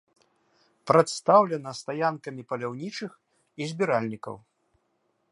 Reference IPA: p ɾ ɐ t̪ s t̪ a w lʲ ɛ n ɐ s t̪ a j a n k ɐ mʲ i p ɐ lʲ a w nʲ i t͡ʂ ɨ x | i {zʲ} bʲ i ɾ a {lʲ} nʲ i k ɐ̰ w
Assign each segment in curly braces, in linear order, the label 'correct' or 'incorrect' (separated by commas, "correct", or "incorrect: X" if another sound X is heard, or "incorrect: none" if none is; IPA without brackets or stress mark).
correct, correct